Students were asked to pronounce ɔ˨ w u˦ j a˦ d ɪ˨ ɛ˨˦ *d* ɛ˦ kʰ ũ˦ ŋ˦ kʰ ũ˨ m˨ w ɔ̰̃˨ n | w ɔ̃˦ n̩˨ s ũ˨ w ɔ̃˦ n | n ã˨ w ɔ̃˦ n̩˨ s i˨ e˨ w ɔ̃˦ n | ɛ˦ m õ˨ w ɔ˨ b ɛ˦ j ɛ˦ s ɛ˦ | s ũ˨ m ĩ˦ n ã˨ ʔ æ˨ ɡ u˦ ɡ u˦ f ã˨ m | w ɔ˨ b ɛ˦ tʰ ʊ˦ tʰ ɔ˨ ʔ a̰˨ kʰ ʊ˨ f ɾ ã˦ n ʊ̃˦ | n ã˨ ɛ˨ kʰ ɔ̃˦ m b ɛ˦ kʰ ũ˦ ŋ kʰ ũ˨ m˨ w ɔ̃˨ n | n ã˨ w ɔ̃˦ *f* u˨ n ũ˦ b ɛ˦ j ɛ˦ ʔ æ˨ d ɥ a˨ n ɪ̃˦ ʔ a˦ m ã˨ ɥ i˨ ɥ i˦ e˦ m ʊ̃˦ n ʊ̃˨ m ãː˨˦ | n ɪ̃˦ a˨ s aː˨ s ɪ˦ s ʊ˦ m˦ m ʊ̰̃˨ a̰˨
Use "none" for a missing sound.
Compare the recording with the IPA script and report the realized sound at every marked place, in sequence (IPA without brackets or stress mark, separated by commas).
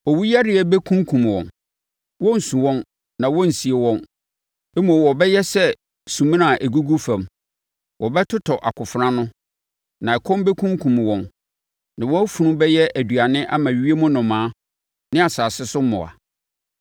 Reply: b, f